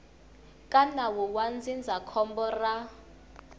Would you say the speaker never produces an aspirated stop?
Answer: no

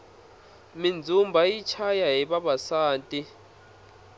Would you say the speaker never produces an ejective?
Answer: no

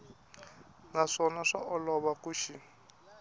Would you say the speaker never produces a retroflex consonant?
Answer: no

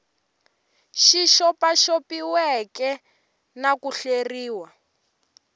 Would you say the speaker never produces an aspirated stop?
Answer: yes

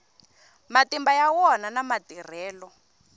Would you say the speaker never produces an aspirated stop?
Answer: yes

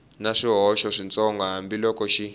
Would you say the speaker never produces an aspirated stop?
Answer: yes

